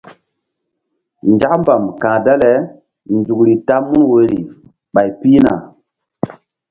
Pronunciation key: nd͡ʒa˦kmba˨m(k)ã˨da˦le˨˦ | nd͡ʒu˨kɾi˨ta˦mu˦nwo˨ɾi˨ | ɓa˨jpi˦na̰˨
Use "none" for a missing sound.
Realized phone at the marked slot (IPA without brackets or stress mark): k